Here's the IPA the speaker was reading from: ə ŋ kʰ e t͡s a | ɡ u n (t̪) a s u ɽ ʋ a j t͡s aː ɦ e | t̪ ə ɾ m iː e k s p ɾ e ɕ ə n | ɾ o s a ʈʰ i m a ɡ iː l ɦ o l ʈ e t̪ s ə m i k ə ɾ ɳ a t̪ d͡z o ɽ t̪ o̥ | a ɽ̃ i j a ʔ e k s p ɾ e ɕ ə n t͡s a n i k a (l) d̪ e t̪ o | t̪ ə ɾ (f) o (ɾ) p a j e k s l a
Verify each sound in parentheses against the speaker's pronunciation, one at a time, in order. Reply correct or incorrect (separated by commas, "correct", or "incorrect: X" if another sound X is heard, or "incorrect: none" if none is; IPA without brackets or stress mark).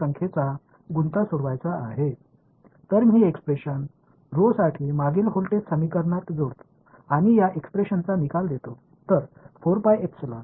correct, correct, correct, correct